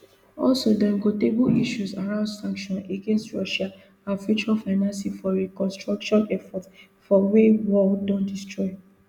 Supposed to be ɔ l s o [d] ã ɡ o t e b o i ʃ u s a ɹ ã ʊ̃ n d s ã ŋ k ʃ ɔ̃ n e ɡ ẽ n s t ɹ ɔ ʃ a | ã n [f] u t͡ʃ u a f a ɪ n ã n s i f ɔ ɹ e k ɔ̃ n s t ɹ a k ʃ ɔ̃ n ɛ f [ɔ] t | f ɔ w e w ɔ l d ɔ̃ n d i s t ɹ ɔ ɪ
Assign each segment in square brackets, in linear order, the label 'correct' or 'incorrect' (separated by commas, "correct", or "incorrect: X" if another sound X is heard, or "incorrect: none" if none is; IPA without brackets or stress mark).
correct, correct, correct